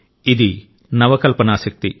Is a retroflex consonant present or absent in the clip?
absent